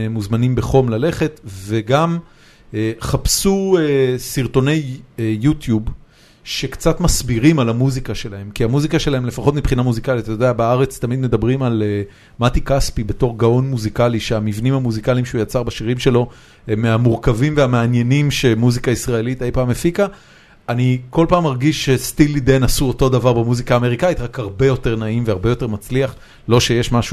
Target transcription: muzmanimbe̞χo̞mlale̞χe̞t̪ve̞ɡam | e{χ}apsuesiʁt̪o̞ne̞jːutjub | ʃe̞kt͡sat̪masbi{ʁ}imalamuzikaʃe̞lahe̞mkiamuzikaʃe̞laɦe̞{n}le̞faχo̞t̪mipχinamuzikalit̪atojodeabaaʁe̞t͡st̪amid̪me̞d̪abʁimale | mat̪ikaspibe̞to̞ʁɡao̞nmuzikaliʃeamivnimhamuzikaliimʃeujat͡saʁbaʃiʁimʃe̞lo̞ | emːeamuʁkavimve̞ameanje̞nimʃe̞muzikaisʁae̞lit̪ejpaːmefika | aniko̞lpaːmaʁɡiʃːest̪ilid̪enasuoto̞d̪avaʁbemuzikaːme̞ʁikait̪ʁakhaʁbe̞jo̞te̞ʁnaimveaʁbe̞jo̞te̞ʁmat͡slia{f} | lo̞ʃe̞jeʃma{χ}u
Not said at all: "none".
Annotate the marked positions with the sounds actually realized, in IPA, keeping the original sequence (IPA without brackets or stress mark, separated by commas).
χ, ʁ, m, χ, ʃ